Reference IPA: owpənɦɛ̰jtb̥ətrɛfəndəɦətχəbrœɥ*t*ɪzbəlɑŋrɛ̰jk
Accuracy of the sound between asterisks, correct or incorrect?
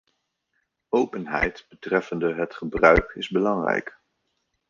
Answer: incorrect